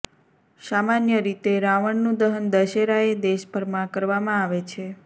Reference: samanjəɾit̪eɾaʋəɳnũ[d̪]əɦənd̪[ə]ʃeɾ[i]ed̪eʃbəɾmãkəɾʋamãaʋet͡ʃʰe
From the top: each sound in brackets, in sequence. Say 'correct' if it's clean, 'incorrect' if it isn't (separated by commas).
correct, correct, incorrect